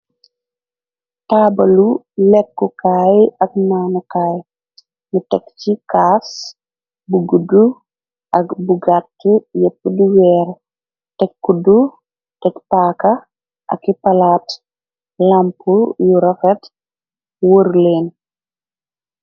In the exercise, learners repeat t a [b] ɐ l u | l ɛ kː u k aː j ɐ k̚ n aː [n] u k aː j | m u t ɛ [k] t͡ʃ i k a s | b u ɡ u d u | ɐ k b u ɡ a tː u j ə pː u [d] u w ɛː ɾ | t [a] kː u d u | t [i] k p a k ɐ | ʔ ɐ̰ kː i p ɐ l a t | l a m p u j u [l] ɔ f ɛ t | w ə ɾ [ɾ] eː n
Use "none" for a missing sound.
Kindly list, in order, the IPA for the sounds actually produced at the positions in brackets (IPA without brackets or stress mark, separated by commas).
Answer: b, n, k, d, ɛ, ɛ, ɾ, l